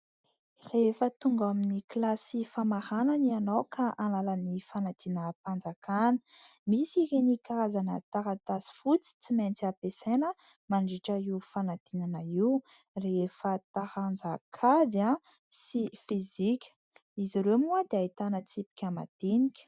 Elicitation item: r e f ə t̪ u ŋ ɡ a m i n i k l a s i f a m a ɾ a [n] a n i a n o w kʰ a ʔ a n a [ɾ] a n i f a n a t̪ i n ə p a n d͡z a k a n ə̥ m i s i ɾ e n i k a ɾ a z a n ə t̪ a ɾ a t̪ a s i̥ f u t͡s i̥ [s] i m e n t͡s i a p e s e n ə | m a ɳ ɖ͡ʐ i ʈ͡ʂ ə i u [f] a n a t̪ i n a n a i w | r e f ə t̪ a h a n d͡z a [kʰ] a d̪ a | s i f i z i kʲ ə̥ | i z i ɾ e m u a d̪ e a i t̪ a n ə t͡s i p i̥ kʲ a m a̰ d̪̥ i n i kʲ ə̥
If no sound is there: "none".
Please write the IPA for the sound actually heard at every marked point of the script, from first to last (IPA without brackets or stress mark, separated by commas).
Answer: n, l, t͡s, f, kʰ